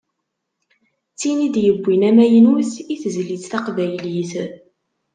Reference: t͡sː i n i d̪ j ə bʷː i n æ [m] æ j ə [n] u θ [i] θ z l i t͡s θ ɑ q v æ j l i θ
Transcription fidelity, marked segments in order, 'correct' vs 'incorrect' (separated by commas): correct, correct, correct